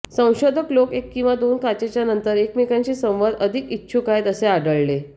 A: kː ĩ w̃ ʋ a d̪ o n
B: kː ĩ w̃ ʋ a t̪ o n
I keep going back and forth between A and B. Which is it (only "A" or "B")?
A